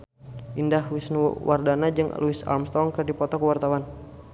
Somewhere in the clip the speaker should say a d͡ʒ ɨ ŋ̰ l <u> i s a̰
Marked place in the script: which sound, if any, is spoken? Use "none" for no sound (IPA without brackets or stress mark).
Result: u